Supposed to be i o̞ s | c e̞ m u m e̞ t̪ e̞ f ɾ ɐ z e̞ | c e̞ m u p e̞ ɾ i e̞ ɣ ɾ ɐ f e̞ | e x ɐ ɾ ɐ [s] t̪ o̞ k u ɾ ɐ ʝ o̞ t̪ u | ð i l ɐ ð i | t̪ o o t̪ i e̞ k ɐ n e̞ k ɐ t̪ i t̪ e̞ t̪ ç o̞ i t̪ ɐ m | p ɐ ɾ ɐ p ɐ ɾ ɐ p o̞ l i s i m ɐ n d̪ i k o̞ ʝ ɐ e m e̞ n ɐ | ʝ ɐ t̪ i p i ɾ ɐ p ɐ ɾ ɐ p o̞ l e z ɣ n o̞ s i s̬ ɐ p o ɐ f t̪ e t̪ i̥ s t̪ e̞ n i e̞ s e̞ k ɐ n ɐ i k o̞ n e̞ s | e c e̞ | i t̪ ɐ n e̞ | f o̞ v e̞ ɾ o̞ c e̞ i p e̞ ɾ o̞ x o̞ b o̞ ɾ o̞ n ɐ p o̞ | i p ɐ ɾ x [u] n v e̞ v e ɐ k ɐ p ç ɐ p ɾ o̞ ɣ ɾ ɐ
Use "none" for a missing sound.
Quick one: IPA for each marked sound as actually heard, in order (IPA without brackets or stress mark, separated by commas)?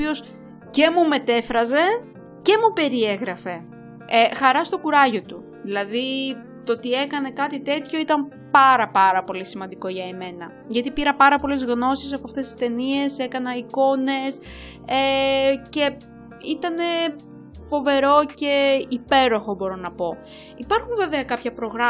s, u